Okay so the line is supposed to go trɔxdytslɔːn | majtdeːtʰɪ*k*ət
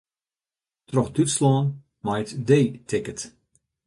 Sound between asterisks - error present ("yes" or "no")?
no